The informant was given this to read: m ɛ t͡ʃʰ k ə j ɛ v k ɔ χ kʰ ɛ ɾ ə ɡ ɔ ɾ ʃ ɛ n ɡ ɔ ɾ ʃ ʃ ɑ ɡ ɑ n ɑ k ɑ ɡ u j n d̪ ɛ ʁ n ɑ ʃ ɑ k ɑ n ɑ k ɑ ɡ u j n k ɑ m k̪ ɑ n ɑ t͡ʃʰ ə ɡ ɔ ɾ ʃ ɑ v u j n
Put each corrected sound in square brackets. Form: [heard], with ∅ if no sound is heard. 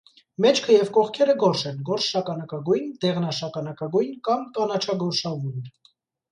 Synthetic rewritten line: m ɛ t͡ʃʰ [kʰ] ə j ɛ v k ɔ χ kʰ ɛ ɾ ə ɡ ɔ ɾ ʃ ɛ n ɡ ɔ ɾ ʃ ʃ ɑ [k] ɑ n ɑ k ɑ ɡ u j n d̪ ɛ ʁ n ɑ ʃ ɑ k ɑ n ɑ k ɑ ɡ u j n k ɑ m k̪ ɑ n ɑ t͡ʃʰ [ɑ] ɡ ɔ ɾ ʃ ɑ v u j n